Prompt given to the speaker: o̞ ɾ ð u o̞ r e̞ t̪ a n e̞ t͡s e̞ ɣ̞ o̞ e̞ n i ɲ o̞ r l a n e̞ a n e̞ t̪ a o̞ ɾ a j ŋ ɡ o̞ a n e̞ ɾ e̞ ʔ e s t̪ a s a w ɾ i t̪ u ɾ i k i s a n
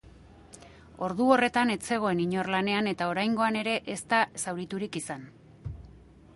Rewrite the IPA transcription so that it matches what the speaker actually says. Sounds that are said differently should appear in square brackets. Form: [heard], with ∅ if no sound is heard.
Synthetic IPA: o̞ ɾ ð u o̞ r e̞ t̪ a n e̞ t͡s e̞ ɣ̞ o̞ e̞ n i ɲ o̞ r l a n e̞ a n e̞ t̪ a o̞ ɾ a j ŋ ɡ o̞ a n e̞ ɾ e̞ ʔ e s t̪ a s a w ɾ i t̪ u ɾ i k i s a n